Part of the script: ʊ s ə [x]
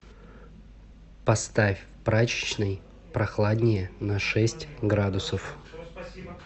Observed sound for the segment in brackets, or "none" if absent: f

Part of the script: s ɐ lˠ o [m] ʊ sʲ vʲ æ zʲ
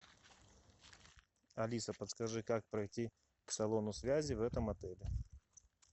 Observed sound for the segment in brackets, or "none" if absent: n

